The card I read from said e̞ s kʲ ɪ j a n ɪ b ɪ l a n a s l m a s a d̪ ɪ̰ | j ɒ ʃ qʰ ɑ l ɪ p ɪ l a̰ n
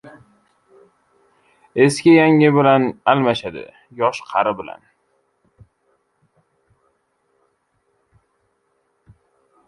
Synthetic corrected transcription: e̞ s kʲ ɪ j a ŋ ɪ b ɪ l a n a l m a ʃ a d̪ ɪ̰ | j ɒ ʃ qʰ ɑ ɾ ɪ b ɪ l a̰ n

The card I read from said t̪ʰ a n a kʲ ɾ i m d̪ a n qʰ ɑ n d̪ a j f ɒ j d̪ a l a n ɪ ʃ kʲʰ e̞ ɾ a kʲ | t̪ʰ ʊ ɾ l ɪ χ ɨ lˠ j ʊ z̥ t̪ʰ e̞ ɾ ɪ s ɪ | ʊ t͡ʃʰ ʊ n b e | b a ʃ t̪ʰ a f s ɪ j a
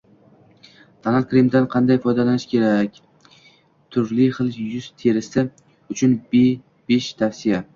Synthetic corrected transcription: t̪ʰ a n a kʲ ɾ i m d̪ a n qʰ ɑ n d̪ a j f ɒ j d̪ a l a n ɪ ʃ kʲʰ e̞ ɾ a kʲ | t̪ʰ ʊ ɾ l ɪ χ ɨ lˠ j ʊ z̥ t̪ʰ e̞ ɾ ɪ s ɪ | ʊ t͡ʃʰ ʊ n b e | b e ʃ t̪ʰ a f s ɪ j a

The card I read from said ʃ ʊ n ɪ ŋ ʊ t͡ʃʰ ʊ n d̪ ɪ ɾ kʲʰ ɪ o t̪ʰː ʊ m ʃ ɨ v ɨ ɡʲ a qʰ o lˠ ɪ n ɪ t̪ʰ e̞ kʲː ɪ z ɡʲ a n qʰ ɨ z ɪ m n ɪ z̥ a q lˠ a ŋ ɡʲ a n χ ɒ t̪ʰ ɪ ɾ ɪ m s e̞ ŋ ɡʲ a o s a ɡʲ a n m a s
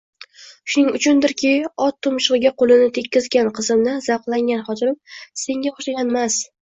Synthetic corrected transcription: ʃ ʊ n ɪ ŋ ʊ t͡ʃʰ ʊ n d̪ ɪ ɾ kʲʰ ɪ ɒ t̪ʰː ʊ m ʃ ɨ ʁ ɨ ɡʲ a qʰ o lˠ ɪ n ɪ t̪ʰ e̞ kʲː ɪ z ɡʲ a n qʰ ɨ z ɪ m n ɪ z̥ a q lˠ a ŋ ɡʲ a n χ ɒ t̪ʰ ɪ ɾ ɪ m s e̞ ŋ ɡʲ a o ʃ a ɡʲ a n m a s

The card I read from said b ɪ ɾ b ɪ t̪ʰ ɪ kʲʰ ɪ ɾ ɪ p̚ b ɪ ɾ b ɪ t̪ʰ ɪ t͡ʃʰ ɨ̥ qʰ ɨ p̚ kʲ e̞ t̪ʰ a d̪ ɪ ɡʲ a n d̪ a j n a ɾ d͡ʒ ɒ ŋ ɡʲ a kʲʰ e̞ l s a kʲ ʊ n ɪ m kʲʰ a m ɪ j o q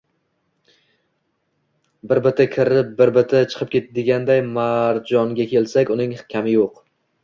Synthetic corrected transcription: b ɪ ɾ b ɪ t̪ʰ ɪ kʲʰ ɪ ɾ ɪ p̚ b ɪ ɾ b ɪ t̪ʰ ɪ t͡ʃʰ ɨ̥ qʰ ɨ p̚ kʲ e̞ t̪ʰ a d̪ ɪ ɡʲ a n d̪ a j m a ɾ d͡ʒ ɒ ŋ ɡʲ a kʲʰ e̞ l s a kʲ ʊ n ɪ ŋ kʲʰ a m ɪ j o q

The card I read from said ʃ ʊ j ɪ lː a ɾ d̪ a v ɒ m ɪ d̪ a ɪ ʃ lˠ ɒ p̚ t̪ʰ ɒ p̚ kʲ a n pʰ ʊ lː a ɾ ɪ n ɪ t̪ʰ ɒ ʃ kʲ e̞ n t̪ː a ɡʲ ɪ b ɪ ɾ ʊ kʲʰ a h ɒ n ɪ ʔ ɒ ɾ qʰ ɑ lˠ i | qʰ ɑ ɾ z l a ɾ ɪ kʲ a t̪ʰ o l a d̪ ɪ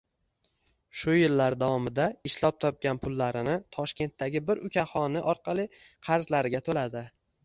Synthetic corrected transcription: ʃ ʊ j ɪ lː a ɾ d̪ a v ɒ m ɪ d̪ a ɪ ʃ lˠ ɒ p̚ t̪ʰ ɒ p̚ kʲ a n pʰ ʊ lː a ɾ ɪ n ɪ t̪ʰ ɒ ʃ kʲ e̞ n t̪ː a ɡʲ ɪ b ɪ ɾ ʊ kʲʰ a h ɒ n ɪ ʔ ɒ ɾ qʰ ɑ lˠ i | qʰ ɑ ɾ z l a ɾ ɪ ɡʲ a t̪ʰ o l a d̪ ɪ

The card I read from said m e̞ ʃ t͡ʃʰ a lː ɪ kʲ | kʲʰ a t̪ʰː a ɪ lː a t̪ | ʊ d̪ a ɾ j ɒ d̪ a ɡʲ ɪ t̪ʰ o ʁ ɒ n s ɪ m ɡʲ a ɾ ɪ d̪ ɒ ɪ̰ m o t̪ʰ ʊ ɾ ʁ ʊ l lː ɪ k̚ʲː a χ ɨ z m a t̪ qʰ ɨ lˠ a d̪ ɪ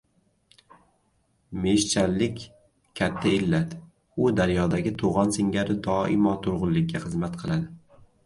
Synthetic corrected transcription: m e̞ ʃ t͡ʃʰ a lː ɪ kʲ | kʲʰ a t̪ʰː a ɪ lː a t̪ | ʊ d̪ a ɾ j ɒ d̪ a ɡʲ ɪ t̪ʰ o ʁ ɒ n s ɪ ŋ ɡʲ a ɾ ɪ d̪ ɒ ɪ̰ m ɒ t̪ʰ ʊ ɾ ʁ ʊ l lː ɪ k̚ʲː a χ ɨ z m a t̪ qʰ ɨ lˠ a d̪ ɪ

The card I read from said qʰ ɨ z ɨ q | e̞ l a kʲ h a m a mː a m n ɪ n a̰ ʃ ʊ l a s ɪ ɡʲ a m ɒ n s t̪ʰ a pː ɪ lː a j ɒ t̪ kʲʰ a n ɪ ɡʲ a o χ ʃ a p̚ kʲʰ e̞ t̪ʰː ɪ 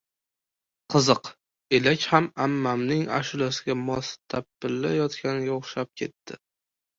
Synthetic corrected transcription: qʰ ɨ z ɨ q | e̞ l a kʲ h a m a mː a m n ɪ ŋ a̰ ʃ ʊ l a s ɪ ɡʲ a m ɒ s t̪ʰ a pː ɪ lː a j ɒ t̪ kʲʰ a n ɪ ɡʲ a o χ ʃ a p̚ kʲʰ e̞ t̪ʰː ɪ

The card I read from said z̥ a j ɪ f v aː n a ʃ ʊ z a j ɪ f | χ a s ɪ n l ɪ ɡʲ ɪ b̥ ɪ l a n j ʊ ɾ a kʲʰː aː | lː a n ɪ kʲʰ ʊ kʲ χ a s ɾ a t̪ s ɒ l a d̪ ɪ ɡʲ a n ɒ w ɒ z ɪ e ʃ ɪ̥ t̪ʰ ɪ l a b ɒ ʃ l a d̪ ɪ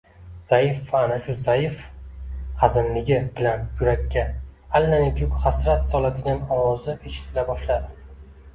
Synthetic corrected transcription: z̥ a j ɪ f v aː n a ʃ ʊ z a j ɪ f | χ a z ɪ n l ɪ ɡʲ ɪ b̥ ɪ l a n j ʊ ɾ a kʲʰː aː | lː a n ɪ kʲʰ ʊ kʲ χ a s ɾ a t̪ s ɒ l a d̪ ɪ ɡʲ a n ɒ w ɒ z ɪ e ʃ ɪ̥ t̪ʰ ɪ l a b ɒ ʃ l a d̪ ɪ

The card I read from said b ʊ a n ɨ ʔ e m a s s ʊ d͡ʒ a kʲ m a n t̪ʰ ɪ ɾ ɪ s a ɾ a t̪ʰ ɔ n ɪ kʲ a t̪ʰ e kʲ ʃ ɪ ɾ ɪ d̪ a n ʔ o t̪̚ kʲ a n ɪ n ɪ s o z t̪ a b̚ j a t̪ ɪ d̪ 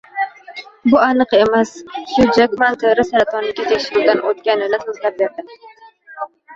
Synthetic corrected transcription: b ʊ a n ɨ q e m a s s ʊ d͡ʒ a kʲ m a n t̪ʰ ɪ ɾ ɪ s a ɾ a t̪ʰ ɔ n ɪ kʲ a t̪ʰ e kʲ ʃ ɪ ɾ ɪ d̪ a n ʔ o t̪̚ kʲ a n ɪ n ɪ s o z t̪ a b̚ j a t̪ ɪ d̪

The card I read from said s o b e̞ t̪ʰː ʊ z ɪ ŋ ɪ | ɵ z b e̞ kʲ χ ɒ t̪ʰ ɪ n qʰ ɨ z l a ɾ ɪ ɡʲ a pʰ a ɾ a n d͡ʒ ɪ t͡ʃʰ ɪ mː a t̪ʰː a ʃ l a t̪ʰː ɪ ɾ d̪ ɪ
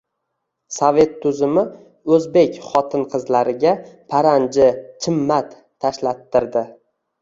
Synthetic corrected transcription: s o v e̞ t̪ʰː ʊ z ɪ m ɪ | ɵ z b e̞ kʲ χ ɒ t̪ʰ ɪ n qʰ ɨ z l a ɾ ɪ ɡʲ a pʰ a ɾ a n d͡ʒ ɪ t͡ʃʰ ɪ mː a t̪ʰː a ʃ l a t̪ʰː ɪ ɾ d̪ ɪ

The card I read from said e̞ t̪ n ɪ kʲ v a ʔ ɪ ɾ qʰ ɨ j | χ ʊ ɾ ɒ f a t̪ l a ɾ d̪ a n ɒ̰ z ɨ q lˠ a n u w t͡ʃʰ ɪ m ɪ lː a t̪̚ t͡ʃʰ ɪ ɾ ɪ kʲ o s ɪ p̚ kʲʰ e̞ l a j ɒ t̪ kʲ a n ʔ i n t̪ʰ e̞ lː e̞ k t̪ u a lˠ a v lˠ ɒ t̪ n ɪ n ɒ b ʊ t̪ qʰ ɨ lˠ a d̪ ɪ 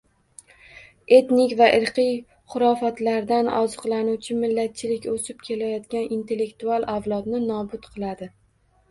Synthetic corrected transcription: e̞ t̪ n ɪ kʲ v a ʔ ɪ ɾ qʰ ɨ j | χ ʊ ɾ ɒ f a t̪ l a ɾ d̪ a n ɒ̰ z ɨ q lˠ a n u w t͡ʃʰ ɪ m ɪ lː a t̪̚ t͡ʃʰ ɪ l ɪ kʲ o s ɪ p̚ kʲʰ e̞ l a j ɒ t̪ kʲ a n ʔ i n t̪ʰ e̞ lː e̞ k t̪ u a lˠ a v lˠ ɒ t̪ n ɪ n ɒ b ʊ t̪ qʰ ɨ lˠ a d̪ ɪ

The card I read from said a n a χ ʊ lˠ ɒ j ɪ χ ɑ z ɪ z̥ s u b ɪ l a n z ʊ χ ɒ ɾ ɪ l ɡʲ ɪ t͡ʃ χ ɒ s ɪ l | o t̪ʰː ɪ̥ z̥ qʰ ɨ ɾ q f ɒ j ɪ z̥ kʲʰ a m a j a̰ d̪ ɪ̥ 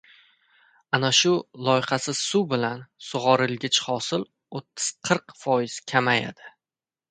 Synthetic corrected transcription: a n a ʃ ʊ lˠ ɒ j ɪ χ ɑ s ɪ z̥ s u b ɪ l a n s ʊ ʁ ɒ ɾ ɪ l ɡʲ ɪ t͡ʃ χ ɒ s ɪ l | o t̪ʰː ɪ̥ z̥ qʰ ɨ ɾ q f ɒ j ɪ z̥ kʲʰ a m a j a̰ d̪ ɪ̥

